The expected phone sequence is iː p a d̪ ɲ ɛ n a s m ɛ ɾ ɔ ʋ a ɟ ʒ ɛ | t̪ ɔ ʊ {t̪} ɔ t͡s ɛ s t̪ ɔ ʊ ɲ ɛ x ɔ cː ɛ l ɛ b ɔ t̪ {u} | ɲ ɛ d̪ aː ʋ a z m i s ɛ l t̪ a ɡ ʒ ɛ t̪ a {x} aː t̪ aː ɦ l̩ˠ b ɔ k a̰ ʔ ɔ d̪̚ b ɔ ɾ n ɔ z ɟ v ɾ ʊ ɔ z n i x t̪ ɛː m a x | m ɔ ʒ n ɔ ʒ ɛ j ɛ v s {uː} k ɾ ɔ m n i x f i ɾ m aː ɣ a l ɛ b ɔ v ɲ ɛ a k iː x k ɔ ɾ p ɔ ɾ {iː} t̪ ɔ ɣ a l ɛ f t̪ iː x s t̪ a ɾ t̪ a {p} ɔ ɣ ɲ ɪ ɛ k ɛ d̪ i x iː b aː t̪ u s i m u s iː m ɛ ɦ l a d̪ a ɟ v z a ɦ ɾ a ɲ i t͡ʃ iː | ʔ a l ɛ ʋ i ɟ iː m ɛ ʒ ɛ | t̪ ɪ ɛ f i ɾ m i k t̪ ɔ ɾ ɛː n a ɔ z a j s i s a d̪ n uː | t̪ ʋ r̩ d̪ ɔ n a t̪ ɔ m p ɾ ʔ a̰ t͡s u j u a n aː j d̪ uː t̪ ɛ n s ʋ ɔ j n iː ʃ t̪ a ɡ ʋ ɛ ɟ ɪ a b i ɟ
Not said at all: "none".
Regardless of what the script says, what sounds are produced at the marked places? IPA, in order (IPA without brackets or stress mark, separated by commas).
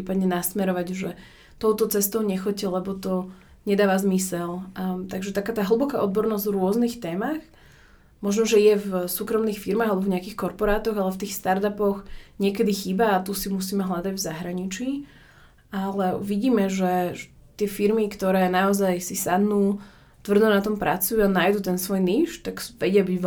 t̪, ɔ, k, uː, aː, p